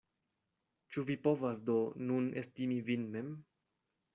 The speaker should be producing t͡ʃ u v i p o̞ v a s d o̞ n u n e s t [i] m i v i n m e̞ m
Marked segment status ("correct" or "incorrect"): correct